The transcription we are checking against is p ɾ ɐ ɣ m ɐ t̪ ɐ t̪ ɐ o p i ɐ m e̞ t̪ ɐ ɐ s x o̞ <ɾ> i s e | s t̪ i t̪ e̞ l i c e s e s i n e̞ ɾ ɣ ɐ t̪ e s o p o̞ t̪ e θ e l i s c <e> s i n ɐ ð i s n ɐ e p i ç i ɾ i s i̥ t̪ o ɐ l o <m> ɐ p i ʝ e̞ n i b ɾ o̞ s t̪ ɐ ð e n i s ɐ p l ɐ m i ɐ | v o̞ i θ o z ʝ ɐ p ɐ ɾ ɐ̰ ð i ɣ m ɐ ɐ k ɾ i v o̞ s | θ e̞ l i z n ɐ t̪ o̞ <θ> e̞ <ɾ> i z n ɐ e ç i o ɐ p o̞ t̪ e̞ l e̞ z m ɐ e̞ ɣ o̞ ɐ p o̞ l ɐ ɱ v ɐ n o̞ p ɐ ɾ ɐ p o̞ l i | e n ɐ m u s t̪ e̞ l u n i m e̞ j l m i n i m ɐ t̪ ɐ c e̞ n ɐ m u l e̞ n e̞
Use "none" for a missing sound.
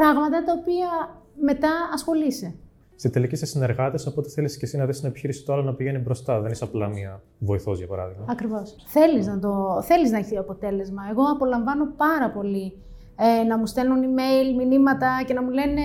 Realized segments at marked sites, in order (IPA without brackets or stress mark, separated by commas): l, e, n, θ, l